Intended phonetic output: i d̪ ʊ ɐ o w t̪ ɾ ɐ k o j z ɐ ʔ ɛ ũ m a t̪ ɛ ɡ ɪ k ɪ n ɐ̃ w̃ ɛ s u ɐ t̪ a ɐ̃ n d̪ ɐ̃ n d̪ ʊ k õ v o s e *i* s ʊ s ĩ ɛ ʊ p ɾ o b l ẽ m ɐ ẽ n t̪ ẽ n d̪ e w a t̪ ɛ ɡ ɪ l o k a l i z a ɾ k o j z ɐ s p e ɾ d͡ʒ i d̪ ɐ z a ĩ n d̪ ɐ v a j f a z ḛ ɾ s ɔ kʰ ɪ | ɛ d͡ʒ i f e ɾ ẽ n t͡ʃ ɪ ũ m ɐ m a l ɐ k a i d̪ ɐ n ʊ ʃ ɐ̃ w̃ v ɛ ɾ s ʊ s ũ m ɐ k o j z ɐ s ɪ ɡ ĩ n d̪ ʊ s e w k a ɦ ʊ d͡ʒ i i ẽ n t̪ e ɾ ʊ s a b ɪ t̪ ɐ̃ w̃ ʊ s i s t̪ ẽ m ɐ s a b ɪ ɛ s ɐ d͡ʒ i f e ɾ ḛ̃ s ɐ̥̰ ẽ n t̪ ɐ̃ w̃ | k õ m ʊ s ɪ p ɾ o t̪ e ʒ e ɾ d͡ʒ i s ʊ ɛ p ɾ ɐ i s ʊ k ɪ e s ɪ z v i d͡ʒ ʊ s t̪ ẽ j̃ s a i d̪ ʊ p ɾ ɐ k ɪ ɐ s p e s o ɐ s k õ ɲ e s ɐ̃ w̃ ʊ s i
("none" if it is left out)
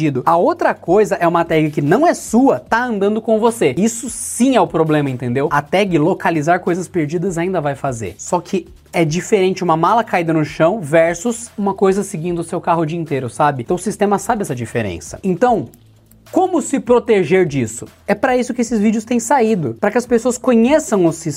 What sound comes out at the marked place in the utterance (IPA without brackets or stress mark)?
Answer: i